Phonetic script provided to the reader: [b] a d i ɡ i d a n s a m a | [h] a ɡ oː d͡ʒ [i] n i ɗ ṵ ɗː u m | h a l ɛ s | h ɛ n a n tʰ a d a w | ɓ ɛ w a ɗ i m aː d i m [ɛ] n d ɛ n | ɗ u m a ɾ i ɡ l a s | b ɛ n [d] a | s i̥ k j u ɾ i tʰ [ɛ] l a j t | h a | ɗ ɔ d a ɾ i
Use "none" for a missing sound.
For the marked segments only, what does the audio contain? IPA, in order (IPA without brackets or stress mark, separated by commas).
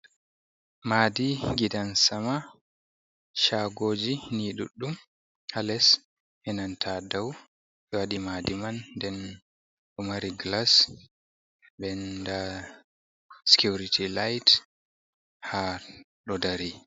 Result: m, ʃ, i, a, d, i